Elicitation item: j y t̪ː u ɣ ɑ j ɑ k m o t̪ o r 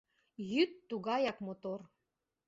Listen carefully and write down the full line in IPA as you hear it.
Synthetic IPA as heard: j y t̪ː u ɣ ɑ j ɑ k m o t̪ o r